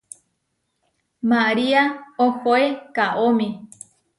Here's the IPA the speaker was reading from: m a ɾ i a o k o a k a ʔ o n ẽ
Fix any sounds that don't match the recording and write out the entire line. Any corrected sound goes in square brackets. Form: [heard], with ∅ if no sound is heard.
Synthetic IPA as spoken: m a ɾ i a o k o [e] k a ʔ o [m] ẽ